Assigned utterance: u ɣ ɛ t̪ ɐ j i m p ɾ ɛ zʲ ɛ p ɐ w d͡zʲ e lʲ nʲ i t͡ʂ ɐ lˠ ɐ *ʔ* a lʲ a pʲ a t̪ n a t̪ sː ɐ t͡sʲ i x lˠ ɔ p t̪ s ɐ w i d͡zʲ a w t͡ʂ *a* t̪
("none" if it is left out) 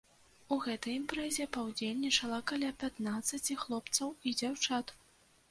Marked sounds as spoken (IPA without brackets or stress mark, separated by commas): k, a